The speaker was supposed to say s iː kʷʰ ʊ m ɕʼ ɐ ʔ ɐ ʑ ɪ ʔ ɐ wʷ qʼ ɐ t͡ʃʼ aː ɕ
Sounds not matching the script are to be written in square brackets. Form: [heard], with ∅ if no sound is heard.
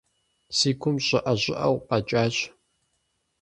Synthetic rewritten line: s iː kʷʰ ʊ m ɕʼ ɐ ʔ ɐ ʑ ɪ ʔ ɐ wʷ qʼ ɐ t͡ʃʼ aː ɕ